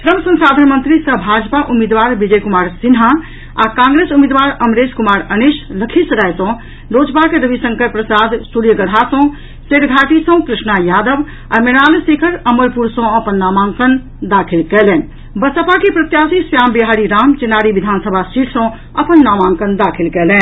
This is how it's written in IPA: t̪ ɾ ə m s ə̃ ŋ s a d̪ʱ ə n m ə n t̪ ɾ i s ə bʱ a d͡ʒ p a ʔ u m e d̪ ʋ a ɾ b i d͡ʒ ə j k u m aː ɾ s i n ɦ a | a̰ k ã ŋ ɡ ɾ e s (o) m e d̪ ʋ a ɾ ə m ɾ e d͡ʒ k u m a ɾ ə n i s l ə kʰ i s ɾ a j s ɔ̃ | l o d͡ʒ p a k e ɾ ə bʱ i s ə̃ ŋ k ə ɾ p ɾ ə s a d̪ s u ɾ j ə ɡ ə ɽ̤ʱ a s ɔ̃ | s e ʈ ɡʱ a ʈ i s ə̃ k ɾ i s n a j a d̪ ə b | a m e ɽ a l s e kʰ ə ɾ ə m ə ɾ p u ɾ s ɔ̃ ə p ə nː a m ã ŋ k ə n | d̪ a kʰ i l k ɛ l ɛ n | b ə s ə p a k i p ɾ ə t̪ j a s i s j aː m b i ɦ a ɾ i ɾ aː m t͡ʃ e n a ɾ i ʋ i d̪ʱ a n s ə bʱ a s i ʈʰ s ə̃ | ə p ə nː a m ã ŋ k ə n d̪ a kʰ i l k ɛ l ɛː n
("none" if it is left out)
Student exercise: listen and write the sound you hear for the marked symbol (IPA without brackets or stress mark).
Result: u